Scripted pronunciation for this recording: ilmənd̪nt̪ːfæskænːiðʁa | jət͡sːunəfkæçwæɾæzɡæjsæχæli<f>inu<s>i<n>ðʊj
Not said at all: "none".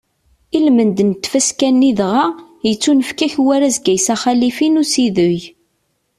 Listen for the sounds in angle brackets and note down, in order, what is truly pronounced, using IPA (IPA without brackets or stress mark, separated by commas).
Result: f, s, none